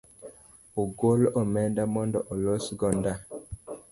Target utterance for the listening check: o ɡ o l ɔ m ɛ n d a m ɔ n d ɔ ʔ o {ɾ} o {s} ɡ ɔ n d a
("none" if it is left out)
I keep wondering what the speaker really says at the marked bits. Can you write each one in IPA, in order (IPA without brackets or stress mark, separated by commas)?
l, s